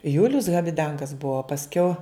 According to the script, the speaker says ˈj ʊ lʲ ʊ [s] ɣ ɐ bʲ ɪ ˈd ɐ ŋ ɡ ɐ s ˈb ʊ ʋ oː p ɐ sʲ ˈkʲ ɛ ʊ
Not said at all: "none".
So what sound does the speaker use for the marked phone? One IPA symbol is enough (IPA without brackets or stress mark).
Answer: s